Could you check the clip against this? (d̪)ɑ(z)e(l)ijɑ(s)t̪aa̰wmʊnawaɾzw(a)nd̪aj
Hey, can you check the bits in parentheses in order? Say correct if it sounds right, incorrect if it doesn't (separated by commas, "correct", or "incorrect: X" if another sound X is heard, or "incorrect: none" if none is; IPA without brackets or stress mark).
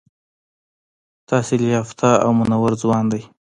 incorrect: t̪, incorrect: s, correct, incorrect: f, incorrect: ɑ